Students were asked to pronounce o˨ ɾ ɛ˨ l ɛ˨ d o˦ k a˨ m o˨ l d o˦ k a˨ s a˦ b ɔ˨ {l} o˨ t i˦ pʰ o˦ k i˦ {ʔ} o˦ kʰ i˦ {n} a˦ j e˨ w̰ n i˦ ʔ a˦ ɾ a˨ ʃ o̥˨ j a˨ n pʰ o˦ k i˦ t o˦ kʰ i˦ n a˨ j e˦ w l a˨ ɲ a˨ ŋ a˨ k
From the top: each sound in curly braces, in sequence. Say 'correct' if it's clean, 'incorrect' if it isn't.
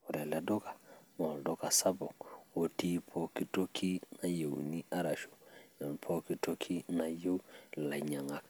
incorrect: none, incorrect: t, correct

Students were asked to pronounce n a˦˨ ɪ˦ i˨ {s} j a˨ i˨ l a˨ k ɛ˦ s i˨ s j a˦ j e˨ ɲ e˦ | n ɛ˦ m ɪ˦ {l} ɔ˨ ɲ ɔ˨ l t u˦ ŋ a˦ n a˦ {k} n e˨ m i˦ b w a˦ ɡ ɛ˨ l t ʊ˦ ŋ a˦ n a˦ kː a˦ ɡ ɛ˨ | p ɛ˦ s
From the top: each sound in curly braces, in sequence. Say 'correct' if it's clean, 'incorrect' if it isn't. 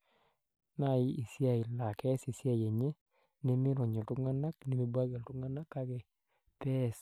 correct, incorrect: ɾ, correct

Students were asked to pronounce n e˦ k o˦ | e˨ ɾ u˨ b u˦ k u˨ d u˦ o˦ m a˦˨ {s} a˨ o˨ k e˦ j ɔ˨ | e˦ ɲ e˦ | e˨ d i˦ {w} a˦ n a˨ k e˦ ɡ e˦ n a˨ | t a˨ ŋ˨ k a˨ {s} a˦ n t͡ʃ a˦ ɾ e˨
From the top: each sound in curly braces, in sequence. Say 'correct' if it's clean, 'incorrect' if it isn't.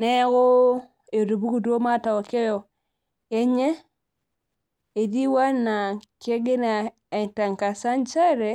incorrect: t, correct, correct

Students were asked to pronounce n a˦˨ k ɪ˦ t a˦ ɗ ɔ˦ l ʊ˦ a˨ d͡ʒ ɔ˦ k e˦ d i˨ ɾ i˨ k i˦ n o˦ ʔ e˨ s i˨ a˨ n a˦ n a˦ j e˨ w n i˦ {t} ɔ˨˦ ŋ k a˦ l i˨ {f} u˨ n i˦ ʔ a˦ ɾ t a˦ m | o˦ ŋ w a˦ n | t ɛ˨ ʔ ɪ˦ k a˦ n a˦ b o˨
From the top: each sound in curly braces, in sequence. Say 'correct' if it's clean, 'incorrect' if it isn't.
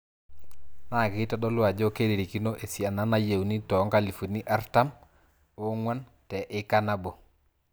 correct, correct

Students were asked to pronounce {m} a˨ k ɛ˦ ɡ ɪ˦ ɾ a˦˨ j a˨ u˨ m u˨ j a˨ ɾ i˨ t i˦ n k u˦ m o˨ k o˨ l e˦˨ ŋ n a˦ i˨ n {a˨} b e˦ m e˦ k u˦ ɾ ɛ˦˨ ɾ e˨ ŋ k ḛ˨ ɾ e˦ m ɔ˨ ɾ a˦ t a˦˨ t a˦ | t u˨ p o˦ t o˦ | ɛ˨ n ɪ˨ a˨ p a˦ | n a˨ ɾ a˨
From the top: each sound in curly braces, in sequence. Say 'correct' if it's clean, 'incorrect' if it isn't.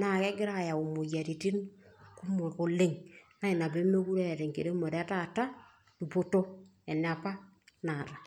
incorrect: n, correct

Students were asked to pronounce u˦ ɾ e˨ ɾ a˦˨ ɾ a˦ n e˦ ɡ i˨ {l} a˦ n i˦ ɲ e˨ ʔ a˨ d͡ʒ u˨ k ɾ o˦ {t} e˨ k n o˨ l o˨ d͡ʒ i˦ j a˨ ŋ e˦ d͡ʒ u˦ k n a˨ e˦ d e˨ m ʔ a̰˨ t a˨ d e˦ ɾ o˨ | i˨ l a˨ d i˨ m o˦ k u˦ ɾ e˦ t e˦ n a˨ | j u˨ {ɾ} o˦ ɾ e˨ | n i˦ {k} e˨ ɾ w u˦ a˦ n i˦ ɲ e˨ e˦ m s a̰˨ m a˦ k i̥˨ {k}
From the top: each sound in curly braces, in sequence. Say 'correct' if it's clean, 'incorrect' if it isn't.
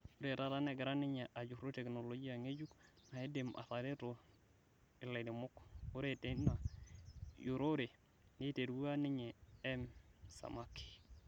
incorrect: ɾ, correct, correct, incorrect: t, incorrect: none

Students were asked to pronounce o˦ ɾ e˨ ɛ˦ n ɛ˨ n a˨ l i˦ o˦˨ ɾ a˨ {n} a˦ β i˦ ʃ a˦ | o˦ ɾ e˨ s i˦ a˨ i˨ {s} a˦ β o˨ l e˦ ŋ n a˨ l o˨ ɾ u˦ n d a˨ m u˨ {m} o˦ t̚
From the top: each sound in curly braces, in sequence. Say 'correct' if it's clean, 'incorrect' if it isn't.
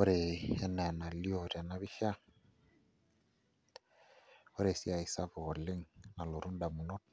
correct, correct, incorrect: n

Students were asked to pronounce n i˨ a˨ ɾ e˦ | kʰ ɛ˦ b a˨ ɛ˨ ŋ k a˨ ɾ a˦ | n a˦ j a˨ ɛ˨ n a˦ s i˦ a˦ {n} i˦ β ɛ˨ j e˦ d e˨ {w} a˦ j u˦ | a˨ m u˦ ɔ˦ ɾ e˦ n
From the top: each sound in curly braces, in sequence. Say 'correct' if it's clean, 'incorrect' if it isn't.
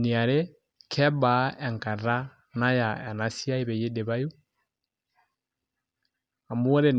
incorrect: none, incorrect: β

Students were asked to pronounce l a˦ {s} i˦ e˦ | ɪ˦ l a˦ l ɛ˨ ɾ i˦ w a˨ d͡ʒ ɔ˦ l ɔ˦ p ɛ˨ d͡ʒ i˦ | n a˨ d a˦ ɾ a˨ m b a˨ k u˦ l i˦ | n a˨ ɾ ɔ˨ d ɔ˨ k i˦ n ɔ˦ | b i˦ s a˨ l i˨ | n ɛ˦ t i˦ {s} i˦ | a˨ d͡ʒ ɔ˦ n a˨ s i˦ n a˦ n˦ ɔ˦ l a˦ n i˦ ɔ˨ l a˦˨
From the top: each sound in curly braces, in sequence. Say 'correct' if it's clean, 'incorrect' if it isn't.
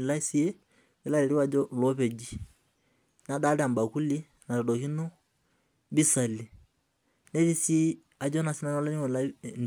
correct, correct

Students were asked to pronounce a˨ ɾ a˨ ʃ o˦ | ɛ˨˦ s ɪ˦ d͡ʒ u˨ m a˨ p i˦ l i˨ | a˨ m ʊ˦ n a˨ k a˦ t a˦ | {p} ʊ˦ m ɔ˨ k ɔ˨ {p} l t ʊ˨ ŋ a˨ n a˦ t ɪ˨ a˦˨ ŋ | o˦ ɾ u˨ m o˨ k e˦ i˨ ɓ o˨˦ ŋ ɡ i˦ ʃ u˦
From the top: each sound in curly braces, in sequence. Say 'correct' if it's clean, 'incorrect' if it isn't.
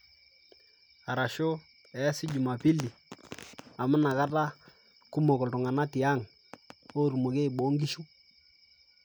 incorrect: k, incorrect: none

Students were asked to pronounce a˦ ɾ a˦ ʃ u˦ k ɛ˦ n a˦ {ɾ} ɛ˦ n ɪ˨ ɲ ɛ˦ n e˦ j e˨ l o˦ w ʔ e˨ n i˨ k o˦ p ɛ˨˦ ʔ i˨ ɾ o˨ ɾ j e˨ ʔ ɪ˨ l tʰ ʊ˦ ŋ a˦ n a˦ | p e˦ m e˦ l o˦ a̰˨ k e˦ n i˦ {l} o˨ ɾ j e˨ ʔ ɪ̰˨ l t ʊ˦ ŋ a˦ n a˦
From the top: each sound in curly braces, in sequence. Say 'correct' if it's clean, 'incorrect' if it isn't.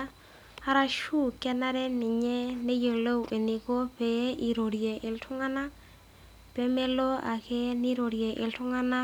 correct, incorrect: ɾ

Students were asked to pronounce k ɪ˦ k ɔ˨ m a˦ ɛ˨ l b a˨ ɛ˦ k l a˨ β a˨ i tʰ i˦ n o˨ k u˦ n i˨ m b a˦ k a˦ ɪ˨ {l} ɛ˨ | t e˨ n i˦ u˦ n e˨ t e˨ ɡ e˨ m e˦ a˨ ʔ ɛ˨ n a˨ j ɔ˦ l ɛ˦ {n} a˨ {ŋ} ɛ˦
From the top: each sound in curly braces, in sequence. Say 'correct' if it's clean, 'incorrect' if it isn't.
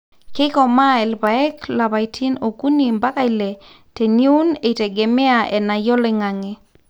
correct, incorrect: ŋ, correct

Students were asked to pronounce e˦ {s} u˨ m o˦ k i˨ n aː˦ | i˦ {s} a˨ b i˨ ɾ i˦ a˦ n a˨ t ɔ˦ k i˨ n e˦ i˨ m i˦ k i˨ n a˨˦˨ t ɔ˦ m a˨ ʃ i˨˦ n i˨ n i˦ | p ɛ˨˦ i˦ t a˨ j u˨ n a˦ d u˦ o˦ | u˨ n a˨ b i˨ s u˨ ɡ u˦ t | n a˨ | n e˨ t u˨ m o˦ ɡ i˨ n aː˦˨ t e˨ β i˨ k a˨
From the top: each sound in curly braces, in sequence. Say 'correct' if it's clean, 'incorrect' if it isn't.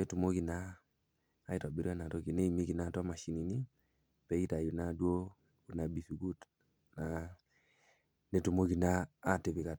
incorrect: t, incorrect: t

